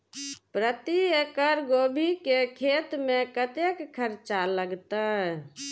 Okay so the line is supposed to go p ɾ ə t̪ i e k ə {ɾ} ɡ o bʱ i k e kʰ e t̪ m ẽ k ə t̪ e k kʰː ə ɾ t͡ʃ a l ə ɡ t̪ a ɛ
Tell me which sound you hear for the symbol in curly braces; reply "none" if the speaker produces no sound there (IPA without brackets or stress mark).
ɾ